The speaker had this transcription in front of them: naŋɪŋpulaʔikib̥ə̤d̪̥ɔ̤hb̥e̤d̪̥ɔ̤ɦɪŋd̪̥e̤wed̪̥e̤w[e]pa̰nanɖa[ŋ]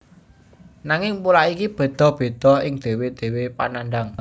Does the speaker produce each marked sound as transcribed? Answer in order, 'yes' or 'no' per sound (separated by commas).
yes, yes